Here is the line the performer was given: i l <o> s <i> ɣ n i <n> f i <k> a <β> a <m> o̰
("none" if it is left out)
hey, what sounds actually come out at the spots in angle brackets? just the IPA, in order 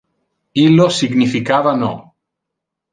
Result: o, i, none, k, β, n

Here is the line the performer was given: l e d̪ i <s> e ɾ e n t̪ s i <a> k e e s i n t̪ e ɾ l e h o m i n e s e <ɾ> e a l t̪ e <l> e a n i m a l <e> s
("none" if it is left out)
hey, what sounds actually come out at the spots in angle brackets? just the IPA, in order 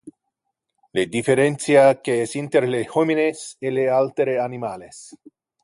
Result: f, a, l, ɾ, e

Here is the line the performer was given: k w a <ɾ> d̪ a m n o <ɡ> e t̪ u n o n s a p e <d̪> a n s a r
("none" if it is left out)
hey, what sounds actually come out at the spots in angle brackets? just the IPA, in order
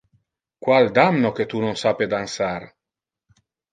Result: l, k, d̪

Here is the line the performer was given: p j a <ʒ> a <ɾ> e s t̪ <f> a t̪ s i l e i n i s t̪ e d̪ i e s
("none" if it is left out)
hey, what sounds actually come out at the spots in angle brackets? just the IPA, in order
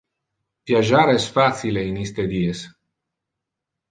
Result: ʒ, ɾ, f

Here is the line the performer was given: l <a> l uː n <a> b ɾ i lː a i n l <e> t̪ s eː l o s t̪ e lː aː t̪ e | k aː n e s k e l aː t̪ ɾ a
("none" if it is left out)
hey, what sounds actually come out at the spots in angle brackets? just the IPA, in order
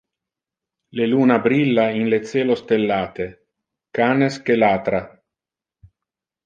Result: e, a, e

